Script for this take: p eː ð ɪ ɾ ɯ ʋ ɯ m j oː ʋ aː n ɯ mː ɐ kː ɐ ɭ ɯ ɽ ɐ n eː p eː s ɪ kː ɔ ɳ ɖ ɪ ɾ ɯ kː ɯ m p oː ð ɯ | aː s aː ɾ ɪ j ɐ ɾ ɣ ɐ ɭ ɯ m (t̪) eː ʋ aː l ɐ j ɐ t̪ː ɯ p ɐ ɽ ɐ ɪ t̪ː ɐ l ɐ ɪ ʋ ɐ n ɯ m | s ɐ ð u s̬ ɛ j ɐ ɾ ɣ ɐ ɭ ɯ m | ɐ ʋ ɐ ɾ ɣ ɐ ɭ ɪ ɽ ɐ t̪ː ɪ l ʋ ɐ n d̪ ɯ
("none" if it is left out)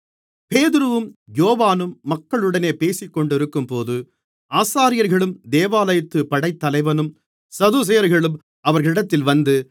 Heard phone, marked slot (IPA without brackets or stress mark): d̪